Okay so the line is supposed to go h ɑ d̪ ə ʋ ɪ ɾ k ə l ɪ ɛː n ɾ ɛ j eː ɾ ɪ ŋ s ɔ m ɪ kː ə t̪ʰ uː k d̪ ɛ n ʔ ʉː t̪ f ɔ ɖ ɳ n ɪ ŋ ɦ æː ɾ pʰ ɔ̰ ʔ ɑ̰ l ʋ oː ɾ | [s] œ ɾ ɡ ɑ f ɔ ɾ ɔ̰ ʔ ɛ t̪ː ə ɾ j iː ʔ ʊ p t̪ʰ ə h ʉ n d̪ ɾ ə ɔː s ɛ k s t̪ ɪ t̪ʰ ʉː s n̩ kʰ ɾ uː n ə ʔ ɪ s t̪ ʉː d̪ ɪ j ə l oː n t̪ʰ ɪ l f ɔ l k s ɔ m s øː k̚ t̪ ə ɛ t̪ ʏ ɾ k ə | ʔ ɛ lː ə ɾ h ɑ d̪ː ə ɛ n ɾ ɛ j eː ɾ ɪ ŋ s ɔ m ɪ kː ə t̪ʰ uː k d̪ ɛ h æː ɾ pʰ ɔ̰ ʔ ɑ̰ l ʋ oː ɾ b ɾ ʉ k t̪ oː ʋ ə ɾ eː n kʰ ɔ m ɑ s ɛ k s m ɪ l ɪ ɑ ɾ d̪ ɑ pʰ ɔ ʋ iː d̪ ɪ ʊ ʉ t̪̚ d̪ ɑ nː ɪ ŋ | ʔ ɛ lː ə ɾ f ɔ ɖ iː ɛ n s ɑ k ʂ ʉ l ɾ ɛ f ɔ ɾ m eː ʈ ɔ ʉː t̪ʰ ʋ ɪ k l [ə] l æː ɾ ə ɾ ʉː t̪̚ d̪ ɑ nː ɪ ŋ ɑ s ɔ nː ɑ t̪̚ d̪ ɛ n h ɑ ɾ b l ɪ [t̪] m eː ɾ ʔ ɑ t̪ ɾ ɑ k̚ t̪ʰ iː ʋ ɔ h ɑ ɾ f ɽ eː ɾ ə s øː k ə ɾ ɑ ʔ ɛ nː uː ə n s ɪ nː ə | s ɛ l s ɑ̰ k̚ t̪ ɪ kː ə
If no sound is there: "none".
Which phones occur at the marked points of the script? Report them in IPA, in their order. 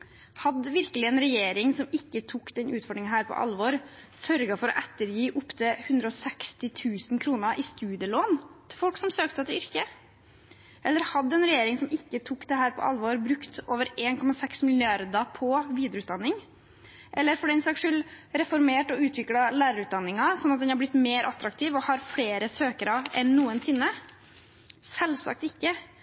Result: s, ɑ, t̪

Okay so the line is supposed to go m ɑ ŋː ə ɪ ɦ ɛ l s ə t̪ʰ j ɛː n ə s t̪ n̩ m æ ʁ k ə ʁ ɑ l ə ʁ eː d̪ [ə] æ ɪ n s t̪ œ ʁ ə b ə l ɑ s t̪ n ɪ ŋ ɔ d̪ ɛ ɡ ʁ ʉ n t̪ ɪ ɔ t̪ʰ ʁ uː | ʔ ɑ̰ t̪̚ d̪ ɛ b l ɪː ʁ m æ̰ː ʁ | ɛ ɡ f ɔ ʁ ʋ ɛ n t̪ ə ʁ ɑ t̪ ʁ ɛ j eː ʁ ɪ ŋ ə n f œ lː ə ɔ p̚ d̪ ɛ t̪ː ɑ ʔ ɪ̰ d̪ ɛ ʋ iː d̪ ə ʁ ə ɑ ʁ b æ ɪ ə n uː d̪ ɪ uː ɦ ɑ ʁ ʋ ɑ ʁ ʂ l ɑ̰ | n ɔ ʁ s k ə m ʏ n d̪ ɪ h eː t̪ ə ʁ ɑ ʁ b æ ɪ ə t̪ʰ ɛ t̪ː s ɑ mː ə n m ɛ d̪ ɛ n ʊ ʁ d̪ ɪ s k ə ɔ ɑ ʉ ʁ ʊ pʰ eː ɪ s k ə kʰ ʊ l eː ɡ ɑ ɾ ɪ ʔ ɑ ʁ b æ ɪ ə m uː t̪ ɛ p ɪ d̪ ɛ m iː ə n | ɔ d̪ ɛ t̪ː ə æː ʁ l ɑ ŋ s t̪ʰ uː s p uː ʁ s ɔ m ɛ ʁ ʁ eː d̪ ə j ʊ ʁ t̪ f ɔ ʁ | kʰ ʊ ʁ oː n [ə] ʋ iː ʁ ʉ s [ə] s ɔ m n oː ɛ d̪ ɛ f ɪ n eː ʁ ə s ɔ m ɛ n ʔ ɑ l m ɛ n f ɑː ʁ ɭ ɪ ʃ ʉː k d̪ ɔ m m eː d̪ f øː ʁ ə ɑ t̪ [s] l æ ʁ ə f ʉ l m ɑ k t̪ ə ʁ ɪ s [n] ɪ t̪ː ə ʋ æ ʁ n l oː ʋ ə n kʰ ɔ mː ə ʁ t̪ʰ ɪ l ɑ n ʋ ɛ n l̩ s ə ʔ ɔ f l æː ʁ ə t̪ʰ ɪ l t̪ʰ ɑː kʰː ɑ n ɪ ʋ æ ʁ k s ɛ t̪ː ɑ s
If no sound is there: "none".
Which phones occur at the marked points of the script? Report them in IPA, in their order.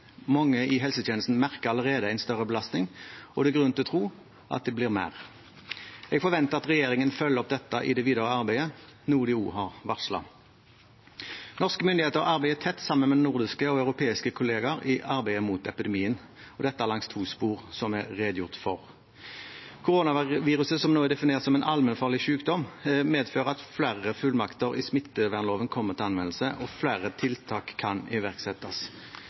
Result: ə, ɑ, ə, f, m

